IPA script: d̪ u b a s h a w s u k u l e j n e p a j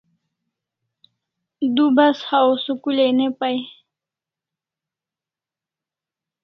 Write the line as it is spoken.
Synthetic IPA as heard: d̪ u b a s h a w s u k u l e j n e p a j

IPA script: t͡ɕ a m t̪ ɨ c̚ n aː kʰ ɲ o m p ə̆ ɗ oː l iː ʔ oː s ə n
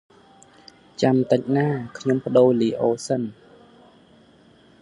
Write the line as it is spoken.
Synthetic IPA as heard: t͡ɕ a m t̪ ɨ c̚ n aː kʰ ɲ o m p ə̆ ɗ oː l iː ʔ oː s ə n

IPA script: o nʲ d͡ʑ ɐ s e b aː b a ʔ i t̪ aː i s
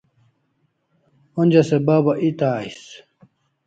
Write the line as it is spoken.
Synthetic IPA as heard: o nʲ d͡ʑ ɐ s e b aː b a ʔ i t̪ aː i s

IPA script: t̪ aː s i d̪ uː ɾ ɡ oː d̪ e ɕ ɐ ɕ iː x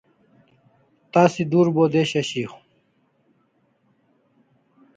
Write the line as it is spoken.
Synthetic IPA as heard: t̪ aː s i d̪ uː ɾ b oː d̪ e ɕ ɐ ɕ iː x

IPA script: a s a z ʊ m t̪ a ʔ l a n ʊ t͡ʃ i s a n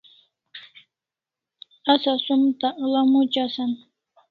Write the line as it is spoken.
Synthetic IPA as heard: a s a s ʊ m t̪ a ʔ l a m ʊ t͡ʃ a s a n

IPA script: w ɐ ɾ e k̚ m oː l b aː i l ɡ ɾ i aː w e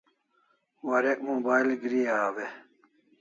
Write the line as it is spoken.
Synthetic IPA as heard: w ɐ ɾ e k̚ m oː b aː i l ɡ ɾ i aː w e

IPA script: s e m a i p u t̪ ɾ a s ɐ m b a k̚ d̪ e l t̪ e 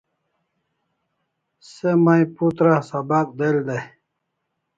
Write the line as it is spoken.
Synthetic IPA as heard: s e m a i p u t̪ ɾ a s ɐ b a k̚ d̪ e l d̪ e

